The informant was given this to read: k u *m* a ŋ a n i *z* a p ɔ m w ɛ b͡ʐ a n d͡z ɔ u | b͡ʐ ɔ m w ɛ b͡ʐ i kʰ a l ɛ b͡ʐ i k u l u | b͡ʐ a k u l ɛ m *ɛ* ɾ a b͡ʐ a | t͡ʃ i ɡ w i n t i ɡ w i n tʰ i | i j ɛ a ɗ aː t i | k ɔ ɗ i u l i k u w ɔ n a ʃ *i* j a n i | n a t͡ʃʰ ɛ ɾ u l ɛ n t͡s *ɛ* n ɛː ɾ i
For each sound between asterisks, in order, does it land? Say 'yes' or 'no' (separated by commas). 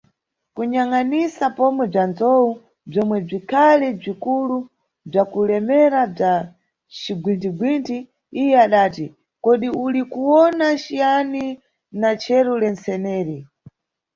no, no, yes, yes, yes